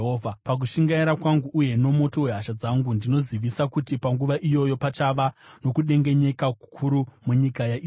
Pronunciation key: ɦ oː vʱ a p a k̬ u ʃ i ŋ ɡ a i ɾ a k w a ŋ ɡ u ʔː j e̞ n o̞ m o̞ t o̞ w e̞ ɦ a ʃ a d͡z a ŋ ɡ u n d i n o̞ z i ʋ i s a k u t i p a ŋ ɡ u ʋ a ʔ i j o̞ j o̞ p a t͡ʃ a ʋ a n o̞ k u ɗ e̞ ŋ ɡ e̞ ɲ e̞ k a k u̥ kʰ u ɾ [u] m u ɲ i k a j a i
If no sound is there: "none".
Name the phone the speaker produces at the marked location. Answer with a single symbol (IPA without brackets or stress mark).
u